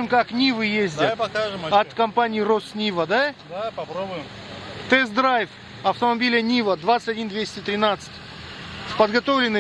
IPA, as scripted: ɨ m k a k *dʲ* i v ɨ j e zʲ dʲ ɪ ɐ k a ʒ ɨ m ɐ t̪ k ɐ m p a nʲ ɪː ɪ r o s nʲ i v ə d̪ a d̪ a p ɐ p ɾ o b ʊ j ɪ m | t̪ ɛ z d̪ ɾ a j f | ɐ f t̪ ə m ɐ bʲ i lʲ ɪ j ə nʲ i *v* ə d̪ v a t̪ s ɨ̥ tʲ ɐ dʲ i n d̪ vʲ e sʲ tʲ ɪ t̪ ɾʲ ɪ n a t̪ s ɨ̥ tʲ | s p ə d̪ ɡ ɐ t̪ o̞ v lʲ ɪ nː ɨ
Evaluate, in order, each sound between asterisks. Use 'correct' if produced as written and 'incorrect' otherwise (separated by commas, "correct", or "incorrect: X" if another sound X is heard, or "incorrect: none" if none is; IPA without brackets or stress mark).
incorrect: nʲ, correct